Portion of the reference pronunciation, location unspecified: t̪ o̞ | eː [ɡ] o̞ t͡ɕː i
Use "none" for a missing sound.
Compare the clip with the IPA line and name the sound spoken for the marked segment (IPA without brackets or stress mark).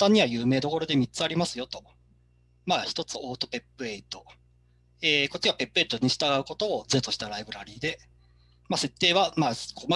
k